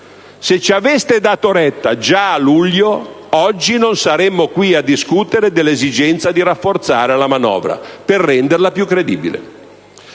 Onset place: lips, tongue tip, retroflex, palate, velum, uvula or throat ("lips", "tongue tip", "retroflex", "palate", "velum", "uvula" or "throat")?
tongue tip